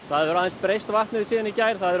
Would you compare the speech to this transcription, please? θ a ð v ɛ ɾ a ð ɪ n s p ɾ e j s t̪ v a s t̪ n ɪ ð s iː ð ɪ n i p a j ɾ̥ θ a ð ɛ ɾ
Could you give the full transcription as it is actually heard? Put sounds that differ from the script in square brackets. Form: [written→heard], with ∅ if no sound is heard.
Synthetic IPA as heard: θ a ð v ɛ ɾ a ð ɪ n s p ɾ e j s t̪ v a [s→h] t̪ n ɪ ð s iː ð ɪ n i [p→c] a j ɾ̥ θ a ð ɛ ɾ